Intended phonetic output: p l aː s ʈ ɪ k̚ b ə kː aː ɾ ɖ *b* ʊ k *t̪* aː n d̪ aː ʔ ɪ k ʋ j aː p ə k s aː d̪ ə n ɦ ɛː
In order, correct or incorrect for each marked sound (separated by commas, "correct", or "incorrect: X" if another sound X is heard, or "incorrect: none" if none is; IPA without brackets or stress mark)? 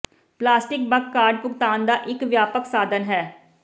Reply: incorrect: p, correct